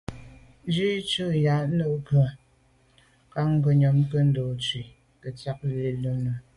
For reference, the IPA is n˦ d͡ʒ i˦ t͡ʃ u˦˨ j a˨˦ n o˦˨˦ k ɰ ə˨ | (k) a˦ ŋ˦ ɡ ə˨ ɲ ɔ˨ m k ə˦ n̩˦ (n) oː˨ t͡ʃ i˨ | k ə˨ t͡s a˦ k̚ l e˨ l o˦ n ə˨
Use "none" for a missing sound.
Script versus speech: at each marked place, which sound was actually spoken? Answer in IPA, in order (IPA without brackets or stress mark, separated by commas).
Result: k, d